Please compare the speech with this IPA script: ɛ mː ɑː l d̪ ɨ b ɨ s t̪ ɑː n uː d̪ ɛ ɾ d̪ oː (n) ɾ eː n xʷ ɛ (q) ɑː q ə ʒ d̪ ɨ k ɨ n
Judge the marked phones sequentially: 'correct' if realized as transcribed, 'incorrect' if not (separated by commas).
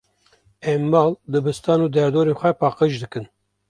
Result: incorrect, incorrect